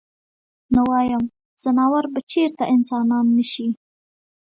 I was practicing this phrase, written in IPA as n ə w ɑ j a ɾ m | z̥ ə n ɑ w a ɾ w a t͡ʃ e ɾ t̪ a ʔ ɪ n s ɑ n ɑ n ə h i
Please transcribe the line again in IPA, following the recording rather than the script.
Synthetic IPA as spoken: n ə w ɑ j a m | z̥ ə n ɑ w a ɾ b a t͡ʃ e ɾ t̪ a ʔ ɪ n s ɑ n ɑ nː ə ʃ i